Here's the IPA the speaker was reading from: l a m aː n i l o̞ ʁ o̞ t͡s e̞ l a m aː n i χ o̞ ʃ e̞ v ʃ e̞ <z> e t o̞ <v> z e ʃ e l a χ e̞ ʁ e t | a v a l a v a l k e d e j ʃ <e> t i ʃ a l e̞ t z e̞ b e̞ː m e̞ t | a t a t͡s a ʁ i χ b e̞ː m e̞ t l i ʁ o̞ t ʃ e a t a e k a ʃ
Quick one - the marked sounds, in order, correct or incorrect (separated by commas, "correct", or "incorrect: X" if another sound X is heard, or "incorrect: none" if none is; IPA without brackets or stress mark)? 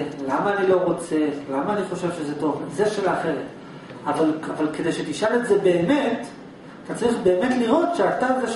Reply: correct, correct, correct